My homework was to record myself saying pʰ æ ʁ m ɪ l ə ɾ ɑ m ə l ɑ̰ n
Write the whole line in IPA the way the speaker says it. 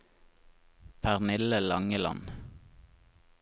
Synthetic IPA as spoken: pʰ æ ʁ n ɪ l ə l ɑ ŋ ə l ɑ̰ n